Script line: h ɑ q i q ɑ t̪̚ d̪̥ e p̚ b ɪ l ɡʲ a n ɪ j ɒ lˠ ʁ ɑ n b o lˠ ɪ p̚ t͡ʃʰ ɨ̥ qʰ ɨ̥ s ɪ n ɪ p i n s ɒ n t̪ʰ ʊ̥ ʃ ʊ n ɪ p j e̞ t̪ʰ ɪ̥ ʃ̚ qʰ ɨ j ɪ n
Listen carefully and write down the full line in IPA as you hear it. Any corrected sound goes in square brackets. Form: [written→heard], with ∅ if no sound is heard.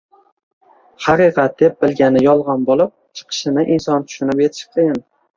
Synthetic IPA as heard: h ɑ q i q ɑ t̪̚ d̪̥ e p̚ b ɪ l ɡʲ a n ɪ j ɒ lˠ ʁ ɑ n b o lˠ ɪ p̚ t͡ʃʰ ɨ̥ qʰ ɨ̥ [s→ʃ] ɪ n ɪ [p→ʔ] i n s ɒ n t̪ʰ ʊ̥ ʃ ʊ n ɪ p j e̞ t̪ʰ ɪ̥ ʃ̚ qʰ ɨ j ɪ n